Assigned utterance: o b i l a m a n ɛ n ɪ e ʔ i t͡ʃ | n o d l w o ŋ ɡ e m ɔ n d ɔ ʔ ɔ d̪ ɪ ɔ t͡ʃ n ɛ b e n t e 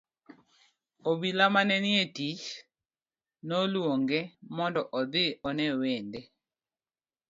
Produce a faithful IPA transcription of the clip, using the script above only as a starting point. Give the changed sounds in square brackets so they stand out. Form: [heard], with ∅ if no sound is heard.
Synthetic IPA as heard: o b i l a m a n ɛ n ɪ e [t] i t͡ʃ | n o [∅] l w o ŋ ɡ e m ɔ n d ɔ ʔ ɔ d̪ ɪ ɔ [∅] n ɛ [w] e n [d] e

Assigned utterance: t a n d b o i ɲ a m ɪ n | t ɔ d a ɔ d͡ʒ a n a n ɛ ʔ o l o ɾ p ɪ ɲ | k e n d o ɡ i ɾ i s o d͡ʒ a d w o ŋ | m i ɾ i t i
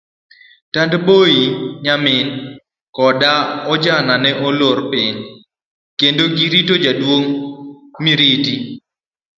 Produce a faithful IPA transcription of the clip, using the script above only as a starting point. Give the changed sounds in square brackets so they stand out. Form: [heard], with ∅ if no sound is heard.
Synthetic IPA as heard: t a n d b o i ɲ a m ɪ n | [k] ɔ d a ɔ d͡ʒ a n a n ɛ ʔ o l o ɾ p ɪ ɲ | k e n d o ɡ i ɾ i [t] o d͡ʒ a d w o ŋ | m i ɾ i t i

